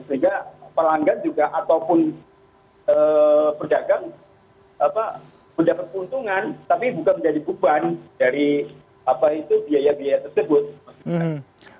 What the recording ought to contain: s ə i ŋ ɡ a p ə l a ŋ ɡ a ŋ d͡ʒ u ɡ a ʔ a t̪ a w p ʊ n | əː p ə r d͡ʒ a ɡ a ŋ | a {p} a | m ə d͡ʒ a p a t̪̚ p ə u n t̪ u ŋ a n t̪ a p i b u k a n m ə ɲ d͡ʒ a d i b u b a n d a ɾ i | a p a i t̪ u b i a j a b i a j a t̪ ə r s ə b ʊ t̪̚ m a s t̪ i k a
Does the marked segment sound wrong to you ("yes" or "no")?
no